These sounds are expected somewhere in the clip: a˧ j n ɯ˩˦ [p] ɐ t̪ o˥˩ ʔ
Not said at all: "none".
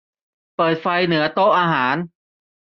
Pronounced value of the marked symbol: none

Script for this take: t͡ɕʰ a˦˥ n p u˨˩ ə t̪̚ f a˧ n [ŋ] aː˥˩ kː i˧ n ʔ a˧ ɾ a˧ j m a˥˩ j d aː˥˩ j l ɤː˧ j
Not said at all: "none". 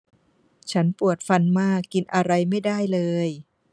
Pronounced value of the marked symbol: m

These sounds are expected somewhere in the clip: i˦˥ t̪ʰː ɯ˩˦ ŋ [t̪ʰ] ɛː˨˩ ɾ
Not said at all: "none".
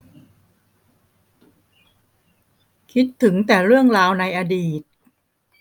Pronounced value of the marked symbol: t̪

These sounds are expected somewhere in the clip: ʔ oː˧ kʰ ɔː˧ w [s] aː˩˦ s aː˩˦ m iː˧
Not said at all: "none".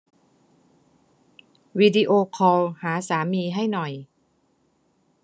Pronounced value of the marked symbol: h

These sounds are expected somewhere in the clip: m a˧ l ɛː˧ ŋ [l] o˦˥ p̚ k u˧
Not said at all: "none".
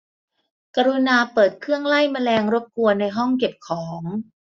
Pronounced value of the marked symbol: ɾ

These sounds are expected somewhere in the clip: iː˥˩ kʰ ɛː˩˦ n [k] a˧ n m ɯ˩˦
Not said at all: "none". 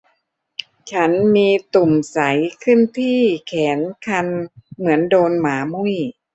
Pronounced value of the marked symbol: kʰ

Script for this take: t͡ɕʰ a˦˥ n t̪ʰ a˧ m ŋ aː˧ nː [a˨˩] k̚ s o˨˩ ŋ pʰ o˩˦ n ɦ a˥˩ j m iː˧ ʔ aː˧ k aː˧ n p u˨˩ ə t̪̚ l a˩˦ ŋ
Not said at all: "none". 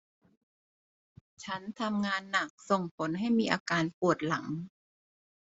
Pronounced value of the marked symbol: a˨˩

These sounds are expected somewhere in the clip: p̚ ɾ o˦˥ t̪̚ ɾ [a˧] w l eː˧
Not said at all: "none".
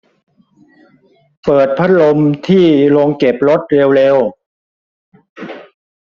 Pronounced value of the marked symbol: e˧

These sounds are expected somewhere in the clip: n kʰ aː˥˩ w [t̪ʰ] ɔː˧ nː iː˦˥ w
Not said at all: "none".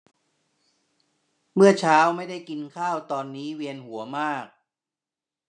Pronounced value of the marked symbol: t̪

